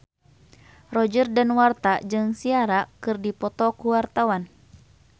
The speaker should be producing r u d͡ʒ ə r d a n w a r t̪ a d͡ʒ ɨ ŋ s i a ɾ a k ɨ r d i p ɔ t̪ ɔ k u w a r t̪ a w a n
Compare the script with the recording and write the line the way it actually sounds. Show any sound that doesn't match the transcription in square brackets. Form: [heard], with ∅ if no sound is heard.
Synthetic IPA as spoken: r [ɔ] d͡ʒ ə r d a n w a r t̪ a d͡ʒ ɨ ŋ s i a ɾ a k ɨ r d i p ɔ t̪ ɔ k u w a r t̪ a w a n